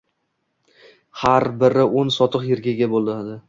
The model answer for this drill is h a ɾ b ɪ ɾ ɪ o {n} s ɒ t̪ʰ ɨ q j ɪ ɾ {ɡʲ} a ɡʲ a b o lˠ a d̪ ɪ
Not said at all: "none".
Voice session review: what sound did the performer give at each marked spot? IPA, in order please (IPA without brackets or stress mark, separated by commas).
n, ɡʲ